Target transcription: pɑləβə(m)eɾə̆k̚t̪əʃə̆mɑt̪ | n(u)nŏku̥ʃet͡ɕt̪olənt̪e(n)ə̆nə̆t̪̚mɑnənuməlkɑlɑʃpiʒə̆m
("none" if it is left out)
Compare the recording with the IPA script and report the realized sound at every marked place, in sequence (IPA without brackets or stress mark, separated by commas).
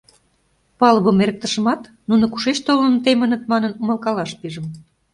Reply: m, u, m